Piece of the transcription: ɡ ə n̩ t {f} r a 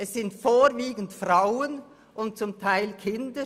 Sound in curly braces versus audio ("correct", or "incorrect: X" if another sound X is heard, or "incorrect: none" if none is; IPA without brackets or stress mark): correct